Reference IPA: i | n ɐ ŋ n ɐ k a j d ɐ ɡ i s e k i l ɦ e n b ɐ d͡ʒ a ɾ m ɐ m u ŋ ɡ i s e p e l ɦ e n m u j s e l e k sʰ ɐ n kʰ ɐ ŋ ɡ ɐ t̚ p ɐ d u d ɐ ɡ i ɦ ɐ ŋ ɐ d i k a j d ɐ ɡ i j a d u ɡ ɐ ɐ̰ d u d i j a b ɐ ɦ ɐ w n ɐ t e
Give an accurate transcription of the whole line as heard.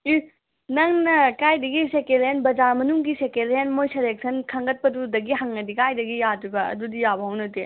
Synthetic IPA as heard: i | n ɐ ŋ n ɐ k a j d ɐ ɡ i s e k e l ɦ e n b ɐ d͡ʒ a ɾ m ɐ n u ŋ ɡ i s e k e l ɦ e n m o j s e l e k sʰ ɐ n kʰ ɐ ŋ ɡ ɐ t̚ p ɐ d u d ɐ ɡ i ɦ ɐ ŋ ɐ d i k a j d ɐ ɡ i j a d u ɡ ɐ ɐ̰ d u d i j a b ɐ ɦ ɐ w n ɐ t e